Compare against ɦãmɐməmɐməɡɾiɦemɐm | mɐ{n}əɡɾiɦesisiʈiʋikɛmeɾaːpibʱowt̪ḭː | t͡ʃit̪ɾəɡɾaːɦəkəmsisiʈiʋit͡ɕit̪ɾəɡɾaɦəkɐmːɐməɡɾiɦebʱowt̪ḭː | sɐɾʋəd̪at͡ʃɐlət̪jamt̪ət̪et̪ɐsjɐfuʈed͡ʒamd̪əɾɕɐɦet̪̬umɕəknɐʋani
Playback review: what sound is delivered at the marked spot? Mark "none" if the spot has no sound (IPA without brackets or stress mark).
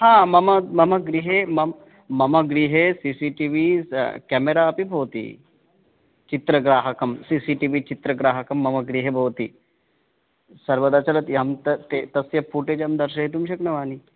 m